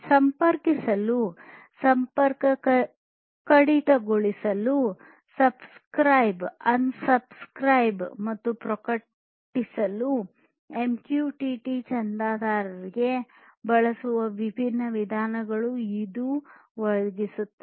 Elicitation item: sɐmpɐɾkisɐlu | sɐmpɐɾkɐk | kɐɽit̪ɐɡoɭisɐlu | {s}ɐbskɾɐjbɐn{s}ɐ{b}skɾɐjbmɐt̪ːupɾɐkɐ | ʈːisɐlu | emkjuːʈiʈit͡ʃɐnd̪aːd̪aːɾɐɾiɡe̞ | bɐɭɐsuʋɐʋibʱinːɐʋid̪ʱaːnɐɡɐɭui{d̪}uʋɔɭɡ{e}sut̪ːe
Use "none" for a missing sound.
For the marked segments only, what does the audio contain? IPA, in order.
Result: s, s, b, d̪, i

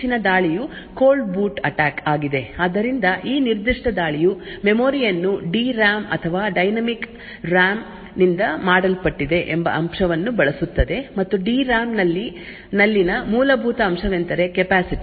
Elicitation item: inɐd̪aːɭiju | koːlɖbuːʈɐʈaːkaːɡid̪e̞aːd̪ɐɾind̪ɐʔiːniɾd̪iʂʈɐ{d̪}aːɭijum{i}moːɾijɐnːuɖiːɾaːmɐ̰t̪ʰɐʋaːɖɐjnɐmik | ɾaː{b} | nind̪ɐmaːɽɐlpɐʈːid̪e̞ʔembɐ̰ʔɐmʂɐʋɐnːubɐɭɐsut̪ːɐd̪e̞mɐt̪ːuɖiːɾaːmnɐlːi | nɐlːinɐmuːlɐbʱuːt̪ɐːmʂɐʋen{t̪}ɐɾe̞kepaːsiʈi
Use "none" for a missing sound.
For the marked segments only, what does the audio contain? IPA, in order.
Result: d̪, e, m, t̪

